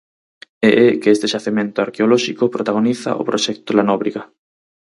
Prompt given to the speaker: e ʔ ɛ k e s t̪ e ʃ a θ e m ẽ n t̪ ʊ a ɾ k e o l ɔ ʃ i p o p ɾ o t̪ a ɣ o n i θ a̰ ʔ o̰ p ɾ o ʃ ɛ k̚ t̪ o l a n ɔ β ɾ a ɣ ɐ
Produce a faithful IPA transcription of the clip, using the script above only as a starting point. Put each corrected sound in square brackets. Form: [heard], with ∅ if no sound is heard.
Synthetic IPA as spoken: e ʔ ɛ k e s t̪ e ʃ a θ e m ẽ n t̪ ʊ a ɾ k e o l ɔ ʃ i [k] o p ɾ o t̪ a ɣ o n i θ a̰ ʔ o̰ p ɾ o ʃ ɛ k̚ t̪ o l a n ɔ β ɾ [i] ɣ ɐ